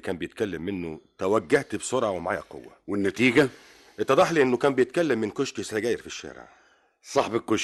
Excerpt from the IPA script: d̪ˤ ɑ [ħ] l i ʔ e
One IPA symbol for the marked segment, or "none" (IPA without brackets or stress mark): ħ